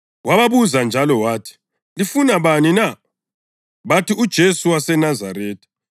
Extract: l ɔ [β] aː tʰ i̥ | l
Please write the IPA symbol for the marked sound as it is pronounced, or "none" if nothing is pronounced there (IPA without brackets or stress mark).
w